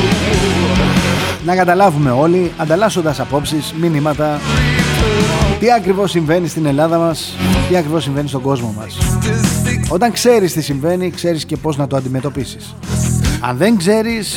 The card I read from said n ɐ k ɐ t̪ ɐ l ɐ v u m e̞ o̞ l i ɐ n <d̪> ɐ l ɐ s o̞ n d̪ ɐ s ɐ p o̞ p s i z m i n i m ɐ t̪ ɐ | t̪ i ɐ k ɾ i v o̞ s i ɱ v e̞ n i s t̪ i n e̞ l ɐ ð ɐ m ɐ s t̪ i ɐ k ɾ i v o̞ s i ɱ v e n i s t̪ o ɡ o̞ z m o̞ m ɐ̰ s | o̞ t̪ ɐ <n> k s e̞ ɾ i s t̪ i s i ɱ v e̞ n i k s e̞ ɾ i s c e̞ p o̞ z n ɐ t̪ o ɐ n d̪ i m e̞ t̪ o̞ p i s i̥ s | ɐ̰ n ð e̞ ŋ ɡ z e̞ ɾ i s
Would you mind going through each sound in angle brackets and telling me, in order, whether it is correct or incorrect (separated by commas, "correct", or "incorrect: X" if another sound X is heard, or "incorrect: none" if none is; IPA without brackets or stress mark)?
correct, incorrect: ŋ